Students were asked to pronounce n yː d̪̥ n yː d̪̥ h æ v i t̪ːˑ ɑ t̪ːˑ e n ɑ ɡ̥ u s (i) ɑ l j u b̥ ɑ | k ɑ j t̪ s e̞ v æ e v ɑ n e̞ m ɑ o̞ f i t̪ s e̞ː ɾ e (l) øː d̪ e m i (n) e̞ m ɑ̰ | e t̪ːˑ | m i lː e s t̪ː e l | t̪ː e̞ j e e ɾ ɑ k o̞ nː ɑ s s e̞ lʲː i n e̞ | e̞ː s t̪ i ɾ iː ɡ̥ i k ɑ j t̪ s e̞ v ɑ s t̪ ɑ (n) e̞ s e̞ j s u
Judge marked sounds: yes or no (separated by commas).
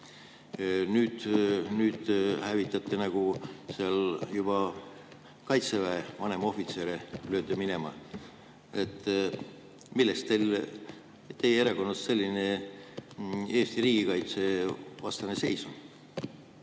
no, yes, yes, yes